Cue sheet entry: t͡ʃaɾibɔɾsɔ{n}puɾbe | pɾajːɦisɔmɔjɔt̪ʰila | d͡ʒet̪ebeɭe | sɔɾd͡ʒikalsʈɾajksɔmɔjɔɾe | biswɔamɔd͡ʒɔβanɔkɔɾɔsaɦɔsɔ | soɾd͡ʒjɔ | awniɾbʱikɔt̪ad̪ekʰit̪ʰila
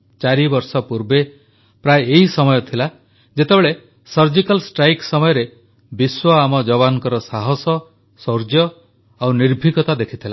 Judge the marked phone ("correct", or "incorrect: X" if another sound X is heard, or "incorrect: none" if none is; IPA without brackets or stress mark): incorrect: none